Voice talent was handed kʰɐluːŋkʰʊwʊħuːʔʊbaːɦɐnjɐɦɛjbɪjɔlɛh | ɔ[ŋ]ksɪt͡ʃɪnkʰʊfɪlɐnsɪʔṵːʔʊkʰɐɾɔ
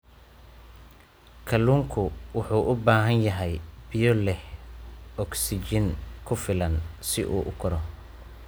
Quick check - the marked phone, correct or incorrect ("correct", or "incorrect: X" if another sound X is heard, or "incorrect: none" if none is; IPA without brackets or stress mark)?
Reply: incorrect: none